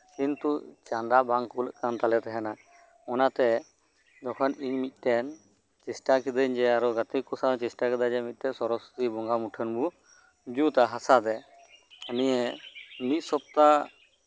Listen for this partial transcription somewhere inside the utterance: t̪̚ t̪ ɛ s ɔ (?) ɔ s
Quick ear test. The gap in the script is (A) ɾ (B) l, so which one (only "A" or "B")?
A